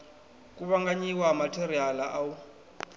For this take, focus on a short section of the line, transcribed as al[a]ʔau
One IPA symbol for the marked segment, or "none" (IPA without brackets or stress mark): a